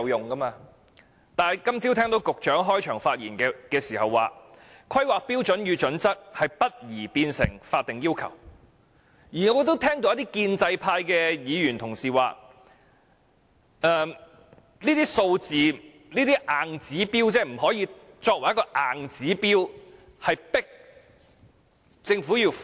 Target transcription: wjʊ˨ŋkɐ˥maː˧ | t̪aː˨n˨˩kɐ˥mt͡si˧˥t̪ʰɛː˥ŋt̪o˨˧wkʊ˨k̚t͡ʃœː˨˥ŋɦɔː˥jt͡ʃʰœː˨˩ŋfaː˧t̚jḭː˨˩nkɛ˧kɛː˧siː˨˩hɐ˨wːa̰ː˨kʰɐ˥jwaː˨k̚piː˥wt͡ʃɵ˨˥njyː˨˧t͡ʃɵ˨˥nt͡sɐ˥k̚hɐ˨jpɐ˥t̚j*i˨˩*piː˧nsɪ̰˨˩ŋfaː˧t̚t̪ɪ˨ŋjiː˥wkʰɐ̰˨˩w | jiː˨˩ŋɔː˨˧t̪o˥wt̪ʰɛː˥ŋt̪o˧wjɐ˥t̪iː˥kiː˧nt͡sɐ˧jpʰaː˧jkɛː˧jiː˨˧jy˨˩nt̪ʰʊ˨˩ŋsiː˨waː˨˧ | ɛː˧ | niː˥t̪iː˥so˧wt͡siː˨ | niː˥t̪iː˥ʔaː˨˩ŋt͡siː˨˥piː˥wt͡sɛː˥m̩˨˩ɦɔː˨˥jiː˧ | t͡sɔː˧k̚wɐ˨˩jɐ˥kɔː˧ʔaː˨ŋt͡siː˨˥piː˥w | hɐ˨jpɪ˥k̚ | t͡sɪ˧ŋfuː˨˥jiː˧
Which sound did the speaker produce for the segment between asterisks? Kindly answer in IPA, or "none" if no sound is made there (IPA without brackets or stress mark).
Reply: iː˨˩